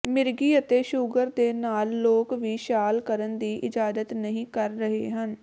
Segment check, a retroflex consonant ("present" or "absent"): absent